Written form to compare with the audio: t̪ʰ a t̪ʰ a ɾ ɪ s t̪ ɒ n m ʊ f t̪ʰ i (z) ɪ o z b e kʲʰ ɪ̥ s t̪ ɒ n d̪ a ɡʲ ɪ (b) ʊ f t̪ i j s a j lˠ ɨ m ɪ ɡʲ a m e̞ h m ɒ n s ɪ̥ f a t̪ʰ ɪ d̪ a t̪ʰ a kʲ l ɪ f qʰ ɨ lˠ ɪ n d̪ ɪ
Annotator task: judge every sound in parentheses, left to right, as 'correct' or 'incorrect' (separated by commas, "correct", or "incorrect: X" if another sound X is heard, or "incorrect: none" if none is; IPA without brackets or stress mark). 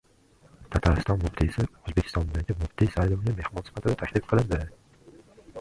incorrect: s, incorrect: m